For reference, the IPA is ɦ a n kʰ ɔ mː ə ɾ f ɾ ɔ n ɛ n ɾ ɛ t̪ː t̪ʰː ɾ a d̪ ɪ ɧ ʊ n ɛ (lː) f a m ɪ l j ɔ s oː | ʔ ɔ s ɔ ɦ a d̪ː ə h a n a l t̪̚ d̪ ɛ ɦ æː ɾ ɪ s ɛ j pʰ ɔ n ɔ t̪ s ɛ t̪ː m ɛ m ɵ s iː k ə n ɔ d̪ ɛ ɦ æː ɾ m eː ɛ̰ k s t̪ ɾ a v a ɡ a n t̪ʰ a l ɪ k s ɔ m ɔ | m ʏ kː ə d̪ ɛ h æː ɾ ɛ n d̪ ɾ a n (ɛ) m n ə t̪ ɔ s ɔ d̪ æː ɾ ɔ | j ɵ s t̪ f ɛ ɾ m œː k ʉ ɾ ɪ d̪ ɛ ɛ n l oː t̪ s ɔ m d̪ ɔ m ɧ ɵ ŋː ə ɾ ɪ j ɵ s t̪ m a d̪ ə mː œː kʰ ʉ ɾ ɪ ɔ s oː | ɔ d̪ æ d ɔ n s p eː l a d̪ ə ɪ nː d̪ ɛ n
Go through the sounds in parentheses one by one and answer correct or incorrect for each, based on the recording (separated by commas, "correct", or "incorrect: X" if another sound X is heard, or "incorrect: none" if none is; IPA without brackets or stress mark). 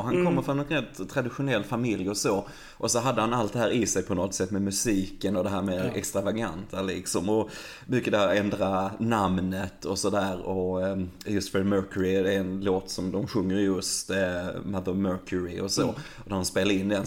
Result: correct, incorrect: a